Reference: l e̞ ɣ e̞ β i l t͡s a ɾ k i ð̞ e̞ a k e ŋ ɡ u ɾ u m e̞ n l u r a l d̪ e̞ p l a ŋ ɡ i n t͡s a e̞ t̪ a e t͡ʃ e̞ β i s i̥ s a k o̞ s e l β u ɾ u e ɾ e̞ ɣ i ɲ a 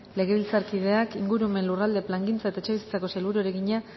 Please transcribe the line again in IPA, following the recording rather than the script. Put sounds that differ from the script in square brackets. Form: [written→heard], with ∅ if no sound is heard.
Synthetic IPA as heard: l e̞ ɣ e̞ β i l t͡s a ɾ k i ð̞ e̞ a k [e→i] ŋ ɡ u ɾ u m e̞ n l u r a l d̪ e̞ p l a ŋ ɡ i n t͡s a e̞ t̪ a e t͡ʃ e̞ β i s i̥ [s→t͡s] a k o̞ s e l β u ɾ u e ɾ e̞ ɣ i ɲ a